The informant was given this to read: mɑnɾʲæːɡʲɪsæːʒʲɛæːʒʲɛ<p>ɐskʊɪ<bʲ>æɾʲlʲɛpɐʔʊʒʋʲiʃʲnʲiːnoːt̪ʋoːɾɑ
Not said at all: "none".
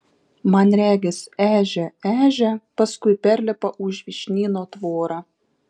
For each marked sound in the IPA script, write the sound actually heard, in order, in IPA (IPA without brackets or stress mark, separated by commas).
p, pʲ